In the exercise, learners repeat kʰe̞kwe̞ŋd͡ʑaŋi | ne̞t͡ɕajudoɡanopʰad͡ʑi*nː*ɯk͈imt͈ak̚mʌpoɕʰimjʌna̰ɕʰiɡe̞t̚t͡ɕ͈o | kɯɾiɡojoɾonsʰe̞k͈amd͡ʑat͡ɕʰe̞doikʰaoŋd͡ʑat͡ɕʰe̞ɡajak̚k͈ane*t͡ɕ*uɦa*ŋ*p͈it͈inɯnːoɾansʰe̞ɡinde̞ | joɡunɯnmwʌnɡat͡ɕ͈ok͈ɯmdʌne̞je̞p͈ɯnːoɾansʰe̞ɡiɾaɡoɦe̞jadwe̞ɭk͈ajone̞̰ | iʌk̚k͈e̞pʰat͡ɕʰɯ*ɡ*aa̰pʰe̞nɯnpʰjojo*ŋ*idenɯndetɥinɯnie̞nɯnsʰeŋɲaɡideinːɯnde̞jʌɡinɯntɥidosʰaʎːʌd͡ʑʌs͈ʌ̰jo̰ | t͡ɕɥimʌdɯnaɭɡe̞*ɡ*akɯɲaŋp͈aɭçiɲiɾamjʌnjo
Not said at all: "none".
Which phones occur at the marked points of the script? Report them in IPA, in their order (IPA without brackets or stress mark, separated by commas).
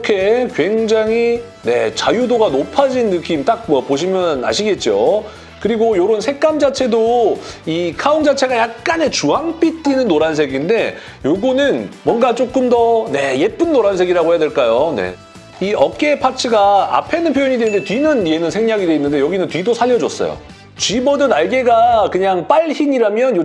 nː, t͡ɕ, ŋ, ɡ, ɲ, ɡ